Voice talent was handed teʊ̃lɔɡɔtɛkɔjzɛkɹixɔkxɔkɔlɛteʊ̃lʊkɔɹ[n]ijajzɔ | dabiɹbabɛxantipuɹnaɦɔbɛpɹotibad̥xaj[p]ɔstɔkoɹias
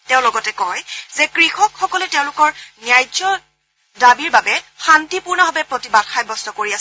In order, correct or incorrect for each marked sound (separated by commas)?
correct, incorrect